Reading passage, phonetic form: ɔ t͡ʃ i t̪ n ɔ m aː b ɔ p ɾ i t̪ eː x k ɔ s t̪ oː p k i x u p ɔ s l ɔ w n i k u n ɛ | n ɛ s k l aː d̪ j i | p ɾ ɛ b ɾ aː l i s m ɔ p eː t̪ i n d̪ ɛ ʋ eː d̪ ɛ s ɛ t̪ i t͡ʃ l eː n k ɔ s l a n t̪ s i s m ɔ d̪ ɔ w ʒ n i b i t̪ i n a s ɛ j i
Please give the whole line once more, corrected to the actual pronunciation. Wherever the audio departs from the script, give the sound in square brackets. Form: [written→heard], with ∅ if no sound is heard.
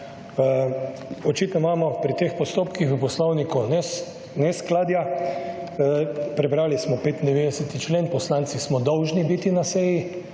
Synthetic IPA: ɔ t͡ʃ i t̪ n ɔ m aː [b→m] ɔ p ɾ i t̪ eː x [k→p] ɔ s t̪ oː p k i x u p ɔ s l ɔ w n i k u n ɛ | n ɛ s k l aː d̪ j [i→a] | p ɾ ɛ b ɾ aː l i s m ɔ p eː t̪ i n d̪ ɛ ʋ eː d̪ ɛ s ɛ t̪ i t͡ʃ l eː n [k→p] ɔ s l a n t̪ s i s m ɔ d̪ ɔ w ʒ n i b i t̪ i n a s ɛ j i